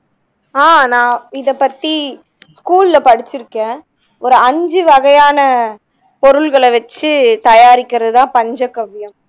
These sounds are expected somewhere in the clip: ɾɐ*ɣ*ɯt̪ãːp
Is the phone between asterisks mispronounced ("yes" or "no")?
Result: yes